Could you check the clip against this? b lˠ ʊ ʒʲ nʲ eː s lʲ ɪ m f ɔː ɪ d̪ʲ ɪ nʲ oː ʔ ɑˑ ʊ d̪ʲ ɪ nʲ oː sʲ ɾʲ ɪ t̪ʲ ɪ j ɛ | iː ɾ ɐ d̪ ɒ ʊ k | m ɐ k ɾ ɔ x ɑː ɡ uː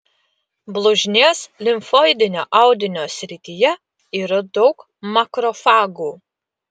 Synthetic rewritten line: b lˠ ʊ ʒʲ nʲ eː s lʲ ɪ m f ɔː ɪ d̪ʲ ɪ nʲ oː ʔ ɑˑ ʊ d̪ʲ ɪ nʲ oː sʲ ɾʲ ɪ t̪ʲ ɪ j ɛ | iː ɾ ɐ d̪ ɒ ʊ k | m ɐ k ɾ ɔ f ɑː ɡ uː